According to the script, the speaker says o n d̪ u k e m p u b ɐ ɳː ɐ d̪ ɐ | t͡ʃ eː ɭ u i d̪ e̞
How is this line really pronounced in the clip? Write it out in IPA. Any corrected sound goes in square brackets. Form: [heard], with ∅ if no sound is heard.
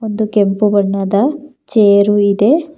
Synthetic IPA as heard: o n d̪ u k e m p u b ɐ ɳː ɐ d̪ ɐ | t͡ʃ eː [ɾ] u i d̪ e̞